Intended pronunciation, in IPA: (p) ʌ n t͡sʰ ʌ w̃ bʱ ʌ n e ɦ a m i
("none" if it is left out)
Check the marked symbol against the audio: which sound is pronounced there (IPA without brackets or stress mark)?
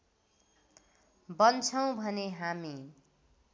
b